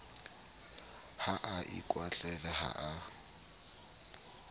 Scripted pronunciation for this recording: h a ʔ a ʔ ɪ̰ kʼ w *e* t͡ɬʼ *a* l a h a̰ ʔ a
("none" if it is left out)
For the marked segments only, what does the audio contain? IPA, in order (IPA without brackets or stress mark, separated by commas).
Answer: a, ɛ